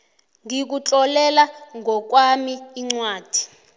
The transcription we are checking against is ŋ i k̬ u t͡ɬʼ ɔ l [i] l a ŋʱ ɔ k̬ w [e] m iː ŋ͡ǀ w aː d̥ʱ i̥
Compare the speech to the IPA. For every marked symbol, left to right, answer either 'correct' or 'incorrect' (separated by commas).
incorrect, incorrect